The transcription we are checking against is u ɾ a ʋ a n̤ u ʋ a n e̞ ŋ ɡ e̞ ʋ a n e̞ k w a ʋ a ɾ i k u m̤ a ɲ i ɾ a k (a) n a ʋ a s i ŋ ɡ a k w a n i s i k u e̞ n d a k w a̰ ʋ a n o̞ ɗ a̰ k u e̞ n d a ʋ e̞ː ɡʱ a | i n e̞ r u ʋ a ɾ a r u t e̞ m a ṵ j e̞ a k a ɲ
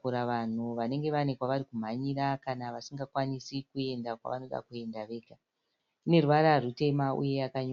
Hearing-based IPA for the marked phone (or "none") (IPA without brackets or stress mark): a